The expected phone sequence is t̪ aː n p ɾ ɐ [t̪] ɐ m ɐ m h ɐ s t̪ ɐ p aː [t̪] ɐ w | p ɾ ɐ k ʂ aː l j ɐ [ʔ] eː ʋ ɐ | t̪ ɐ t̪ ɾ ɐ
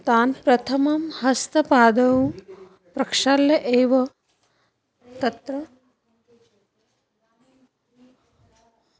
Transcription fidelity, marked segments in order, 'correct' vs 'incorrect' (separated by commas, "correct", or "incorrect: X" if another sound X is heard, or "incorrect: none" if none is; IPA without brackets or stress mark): incorrect: t̪ʰ, incorrect: d̪, correct